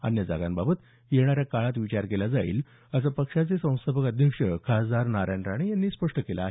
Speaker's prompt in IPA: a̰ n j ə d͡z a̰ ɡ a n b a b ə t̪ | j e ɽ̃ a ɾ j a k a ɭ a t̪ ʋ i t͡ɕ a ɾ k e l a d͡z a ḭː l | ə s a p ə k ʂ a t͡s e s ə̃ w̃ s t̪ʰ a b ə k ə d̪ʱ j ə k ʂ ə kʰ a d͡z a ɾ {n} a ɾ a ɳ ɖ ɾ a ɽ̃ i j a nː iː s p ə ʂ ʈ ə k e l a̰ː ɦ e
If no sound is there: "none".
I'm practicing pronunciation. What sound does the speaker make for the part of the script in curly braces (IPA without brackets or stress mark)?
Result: n